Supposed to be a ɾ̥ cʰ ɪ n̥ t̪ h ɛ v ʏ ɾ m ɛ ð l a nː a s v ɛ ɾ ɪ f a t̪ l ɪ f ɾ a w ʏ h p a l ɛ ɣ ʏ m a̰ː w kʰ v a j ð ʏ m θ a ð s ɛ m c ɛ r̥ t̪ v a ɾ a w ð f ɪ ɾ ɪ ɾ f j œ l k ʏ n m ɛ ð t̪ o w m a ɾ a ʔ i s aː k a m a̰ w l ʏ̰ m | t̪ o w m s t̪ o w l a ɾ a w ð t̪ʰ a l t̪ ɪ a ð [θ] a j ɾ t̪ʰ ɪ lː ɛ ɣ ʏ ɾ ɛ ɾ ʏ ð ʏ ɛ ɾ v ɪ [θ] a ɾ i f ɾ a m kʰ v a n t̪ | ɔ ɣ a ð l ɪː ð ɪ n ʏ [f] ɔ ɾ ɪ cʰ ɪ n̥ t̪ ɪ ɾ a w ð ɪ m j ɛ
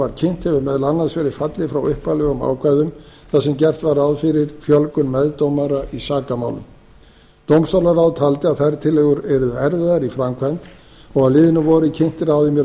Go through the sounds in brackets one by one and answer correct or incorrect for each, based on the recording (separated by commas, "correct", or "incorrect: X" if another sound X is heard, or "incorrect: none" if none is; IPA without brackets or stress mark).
correct, incorrect: ð, incorrect: v